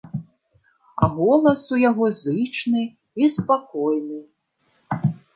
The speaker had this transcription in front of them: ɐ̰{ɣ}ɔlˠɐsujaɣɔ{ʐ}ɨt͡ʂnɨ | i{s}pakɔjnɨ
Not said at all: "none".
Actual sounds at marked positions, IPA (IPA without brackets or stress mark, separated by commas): ɣ, z, s